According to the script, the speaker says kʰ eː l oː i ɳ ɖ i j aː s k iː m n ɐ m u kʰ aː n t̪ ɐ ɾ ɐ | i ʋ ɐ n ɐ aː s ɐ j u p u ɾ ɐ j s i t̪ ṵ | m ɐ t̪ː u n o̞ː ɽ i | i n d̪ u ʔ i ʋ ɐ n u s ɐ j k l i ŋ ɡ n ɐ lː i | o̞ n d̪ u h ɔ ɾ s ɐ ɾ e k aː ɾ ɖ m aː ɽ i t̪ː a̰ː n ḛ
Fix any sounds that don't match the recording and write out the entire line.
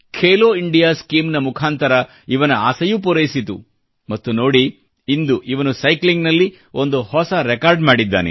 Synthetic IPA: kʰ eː l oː i ɳ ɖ i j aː s k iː m n ɐ m u kʰ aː n t̪ ɐ ɾ ɐ | i ʋ ɐ n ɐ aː s ɐ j u p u ɾ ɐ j s i t̪ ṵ | m ɐ t̪ː u n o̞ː ɽ i | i n d̪ u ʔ i ʋ ɐ n u s ɐ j k l i ŋ ɡ n ɐ lː i | o̞ n d̪ u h ɔ s ɐ ɾ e k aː ɾ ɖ m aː ɽ i d̪ː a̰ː n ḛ

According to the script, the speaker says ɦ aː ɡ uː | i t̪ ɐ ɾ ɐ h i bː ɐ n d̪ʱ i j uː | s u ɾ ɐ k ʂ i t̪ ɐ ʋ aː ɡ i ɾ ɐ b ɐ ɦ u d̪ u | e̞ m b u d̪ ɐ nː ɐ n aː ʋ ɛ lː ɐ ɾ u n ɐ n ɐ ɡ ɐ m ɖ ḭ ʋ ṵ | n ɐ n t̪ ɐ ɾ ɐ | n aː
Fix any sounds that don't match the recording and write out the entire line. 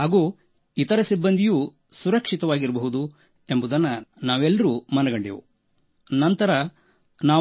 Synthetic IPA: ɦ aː ɡ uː | i t̪ ɐ ɾ ɐ s i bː ɐ n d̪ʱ i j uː | s u ɾ ɐ k ʂ i t̪ ɐ ʋ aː ɡ i ɾ ɐ b ɐ ɦ u d̪ u | e̞ m b u d̪ ɐ nː ɐ n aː ʋ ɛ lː ɐ ɾ u m ɐ n ɐ ɡ ɐ ɳ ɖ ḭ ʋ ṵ | n ɐ n t̪ ɐ ɾ ɐ | n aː

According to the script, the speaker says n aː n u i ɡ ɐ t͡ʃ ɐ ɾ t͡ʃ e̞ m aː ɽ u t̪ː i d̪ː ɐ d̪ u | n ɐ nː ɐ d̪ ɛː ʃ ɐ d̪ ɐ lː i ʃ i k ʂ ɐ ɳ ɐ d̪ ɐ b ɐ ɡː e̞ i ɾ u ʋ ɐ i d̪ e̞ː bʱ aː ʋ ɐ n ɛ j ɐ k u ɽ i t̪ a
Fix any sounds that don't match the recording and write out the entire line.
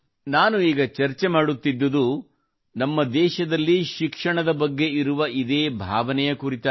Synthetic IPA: n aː n u iː ɡ ɐ t͡ʃ ɐ ɾ t͡ʃ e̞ m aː ɽ u t̪ː i d̪ː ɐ d̪ u | n ɐ mː ɐ d̪ ɛː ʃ ɐ d̪ ɐ lː i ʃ i k ʂ ɐ ɳ ɐ d̪ ɐ b ɐ ɡː e̞ i ɾ u ʋ ɐ i d̪ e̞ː bʱ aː ʋ ɐ n ɛ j ɐ k u ɾ i t̪ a

